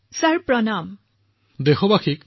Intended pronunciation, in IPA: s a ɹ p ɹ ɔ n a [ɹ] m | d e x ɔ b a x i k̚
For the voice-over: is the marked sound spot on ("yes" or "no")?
no